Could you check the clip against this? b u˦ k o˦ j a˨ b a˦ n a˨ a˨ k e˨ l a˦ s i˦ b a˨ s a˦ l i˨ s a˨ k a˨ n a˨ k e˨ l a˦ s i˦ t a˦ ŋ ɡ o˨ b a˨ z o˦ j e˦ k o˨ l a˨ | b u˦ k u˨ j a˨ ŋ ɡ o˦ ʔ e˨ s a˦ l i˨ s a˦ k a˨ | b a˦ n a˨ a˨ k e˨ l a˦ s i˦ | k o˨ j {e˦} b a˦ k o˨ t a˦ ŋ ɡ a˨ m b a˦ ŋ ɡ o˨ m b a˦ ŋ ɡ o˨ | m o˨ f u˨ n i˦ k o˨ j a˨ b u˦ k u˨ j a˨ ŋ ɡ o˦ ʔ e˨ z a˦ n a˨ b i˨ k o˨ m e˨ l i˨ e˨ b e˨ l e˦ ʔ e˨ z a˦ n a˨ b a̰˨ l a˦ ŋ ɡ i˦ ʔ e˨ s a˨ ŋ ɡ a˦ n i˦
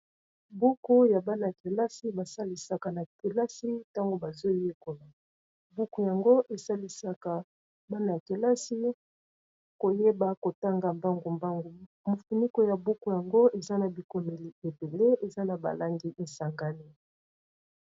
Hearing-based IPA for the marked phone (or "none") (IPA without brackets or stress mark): e˦